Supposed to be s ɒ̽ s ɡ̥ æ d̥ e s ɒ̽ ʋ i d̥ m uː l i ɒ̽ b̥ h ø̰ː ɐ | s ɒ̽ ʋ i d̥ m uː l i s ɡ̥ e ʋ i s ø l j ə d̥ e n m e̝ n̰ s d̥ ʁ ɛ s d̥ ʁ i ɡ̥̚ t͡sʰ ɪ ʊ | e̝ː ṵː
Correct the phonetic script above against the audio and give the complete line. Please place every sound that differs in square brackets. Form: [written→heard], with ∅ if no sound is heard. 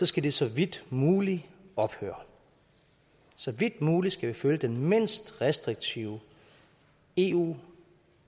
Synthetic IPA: s ɒ̽ s ɡ̥ æ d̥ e s ɒ̽ ʋ i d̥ m uː l i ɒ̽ b̥ h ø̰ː ɐ | s ɒ̽ ʋ i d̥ m uː l i s ɡ̥ [e→æ] ʋ i [s→f] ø l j ə d̥ e n m e̝ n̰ s d̥ ʁ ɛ s d̥ ʁ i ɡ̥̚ t͡sʰ [ɪ→i] ʊ | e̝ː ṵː